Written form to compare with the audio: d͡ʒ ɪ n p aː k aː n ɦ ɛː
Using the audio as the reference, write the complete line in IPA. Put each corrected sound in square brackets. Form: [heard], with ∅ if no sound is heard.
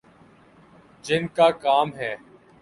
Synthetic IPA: d͡ʒ ɪ n [k] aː k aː [m] ɦ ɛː